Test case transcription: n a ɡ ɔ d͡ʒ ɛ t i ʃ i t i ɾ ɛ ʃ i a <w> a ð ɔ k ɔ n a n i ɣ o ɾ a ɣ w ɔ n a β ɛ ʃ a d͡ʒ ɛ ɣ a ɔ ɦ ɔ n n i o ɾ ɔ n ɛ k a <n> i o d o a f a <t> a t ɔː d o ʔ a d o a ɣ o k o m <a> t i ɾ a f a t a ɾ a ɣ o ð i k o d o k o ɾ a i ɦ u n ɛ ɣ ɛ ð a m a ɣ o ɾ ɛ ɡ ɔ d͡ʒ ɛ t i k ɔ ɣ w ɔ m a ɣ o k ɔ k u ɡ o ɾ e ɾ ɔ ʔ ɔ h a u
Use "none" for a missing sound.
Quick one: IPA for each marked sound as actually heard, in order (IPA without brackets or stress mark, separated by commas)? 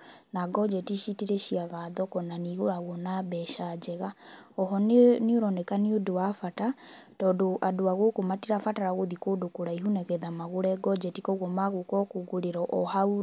ɣ, n, t, a